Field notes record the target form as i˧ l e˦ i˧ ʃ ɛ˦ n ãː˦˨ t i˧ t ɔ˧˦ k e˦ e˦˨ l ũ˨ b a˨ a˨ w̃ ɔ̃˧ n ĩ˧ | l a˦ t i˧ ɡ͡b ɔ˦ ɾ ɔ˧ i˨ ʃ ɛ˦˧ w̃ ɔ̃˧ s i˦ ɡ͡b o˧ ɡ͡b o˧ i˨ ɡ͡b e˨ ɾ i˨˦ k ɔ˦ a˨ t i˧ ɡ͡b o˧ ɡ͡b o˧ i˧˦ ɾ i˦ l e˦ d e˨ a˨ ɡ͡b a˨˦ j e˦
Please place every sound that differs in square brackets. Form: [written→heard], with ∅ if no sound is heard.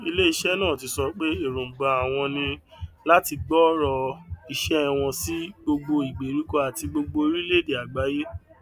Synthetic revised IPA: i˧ l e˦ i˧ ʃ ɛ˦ n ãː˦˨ t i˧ [t→s] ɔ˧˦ [k→k͡p] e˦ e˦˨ [l→ɾ] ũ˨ [b→ɡ͡b] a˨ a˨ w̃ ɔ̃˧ n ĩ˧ | l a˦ t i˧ ɡ͡b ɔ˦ ɾ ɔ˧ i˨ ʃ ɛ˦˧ w̃ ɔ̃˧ s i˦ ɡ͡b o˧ ɡ͡b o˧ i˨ ɡ͡b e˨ ɾ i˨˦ k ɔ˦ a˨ t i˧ ɡ͡b o˧ ɡ͡b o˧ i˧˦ ɾ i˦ l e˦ d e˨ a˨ ɡ͡b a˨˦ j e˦